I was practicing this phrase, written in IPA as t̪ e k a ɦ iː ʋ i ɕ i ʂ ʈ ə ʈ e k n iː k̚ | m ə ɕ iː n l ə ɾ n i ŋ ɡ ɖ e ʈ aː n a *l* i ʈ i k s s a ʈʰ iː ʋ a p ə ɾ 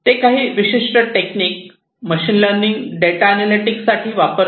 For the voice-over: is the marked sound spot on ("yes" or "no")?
yes